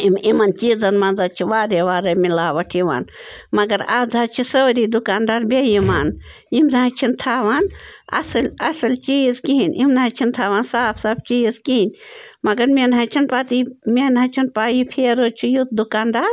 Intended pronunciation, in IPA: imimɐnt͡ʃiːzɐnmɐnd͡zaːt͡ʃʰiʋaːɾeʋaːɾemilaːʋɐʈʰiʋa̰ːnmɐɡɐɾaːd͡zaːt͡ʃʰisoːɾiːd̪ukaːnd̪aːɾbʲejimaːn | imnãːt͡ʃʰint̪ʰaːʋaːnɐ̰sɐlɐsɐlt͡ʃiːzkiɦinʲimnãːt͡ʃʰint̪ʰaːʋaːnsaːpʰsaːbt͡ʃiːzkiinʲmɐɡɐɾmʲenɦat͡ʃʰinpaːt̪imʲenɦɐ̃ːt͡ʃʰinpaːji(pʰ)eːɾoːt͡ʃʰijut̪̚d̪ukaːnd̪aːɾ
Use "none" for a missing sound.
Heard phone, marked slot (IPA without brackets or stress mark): pʰ